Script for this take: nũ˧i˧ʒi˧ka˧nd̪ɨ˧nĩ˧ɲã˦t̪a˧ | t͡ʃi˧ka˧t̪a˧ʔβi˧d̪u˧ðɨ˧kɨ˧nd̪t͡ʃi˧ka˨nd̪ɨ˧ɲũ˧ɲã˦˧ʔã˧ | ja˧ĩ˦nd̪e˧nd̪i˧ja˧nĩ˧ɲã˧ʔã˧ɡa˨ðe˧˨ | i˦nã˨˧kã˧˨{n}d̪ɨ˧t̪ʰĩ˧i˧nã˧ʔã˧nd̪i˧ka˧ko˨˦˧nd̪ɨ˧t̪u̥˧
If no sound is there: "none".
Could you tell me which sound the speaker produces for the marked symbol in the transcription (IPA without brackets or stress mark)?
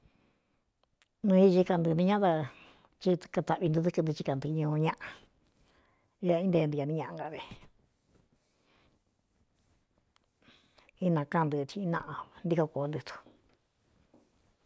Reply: n